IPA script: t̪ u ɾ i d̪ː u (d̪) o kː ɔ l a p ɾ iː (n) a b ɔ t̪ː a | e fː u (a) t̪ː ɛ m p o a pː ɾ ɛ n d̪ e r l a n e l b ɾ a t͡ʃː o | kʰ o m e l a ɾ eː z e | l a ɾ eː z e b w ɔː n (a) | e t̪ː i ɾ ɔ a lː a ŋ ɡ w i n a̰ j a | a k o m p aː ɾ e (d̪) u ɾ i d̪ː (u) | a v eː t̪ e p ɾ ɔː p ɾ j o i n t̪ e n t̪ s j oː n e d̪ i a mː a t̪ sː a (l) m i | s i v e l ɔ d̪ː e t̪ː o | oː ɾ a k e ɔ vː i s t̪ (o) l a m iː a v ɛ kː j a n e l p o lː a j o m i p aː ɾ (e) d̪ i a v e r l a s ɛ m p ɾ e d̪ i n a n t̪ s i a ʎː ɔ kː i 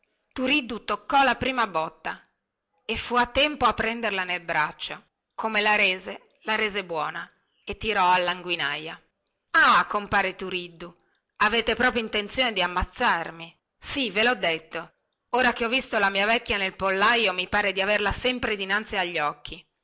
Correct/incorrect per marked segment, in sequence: incorrect: t̪, incorrect: m, correct, correct, incorrect: t̪, correct, incorrect: r, correct, correct

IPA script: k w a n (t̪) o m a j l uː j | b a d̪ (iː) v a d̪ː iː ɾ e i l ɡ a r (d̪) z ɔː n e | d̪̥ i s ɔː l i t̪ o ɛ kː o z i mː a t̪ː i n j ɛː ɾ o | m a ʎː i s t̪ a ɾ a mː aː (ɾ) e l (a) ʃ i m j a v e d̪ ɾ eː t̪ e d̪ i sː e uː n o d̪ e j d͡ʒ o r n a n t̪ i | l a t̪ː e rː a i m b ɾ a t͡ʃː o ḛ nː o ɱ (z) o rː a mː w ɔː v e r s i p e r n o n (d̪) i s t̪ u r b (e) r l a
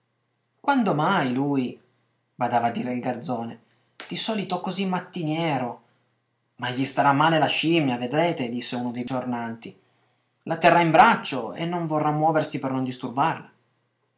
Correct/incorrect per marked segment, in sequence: incorrect: d̪, incorrect: aː, correct, incorrect: l, correct, incorrect: v, correct, incorrect: a

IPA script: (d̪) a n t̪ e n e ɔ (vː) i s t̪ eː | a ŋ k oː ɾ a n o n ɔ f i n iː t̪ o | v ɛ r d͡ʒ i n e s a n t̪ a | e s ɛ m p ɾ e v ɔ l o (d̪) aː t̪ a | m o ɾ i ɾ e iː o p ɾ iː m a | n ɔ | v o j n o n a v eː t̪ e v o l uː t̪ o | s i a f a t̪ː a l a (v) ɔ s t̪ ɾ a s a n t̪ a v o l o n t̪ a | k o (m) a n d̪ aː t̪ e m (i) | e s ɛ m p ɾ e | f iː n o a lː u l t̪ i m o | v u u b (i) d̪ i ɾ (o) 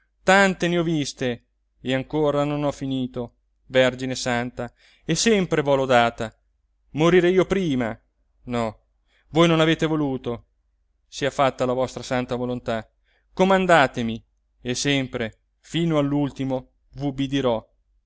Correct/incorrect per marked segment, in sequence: incorrect: t̪, incorrect: v, correct, correct, correct, correct, correct, incorrect: ɔ

